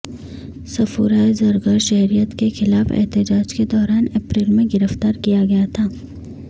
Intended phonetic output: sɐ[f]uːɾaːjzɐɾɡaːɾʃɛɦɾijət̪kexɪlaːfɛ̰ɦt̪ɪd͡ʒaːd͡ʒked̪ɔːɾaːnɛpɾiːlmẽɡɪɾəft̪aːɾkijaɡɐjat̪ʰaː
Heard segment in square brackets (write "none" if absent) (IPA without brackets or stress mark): f